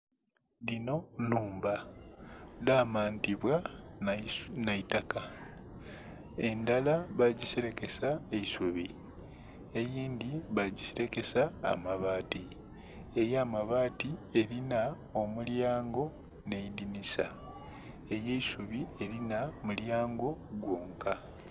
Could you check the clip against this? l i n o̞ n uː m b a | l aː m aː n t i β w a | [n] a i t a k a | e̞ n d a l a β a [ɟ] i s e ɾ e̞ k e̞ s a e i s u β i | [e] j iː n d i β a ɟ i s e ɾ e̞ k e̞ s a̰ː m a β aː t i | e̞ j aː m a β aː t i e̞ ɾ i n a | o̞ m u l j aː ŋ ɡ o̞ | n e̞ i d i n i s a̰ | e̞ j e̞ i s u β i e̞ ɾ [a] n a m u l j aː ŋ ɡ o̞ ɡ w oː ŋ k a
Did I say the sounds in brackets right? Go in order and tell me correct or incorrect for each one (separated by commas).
correct, correct, correct, incorrect